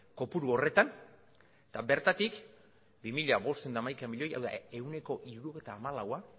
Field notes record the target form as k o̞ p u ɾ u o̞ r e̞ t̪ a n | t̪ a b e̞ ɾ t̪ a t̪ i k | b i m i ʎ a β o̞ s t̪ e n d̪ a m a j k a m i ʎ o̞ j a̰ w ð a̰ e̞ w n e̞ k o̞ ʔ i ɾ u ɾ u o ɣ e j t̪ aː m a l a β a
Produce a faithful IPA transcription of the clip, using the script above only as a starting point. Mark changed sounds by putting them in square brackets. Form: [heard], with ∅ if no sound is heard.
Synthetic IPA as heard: k o̞ p u ɾ u o̞ r e̞ t̪ a n | t̪ a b e̞ ɾ t̪ a t̪ i k | b i m i ʎ a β o̞ s t̪ e n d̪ a m a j k a m i ʎ o̞ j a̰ w ð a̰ e̞ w n e̞ k o̞ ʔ i ɾ u ɾ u o ɣ e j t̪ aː m a l a [w] a